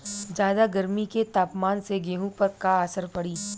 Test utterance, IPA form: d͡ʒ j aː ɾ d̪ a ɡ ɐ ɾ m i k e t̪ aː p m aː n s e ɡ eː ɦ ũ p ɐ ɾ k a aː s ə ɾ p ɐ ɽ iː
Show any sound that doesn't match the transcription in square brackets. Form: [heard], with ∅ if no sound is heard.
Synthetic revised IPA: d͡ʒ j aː [∅] d̪ a ɡ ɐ ɾ m i k e t̪ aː p m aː n s e ɡ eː ɦ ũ p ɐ ɾ k a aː s ə ɾ p ɐ ɽ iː